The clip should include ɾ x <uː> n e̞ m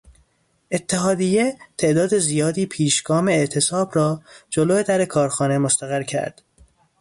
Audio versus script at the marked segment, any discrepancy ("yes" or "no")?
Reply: yes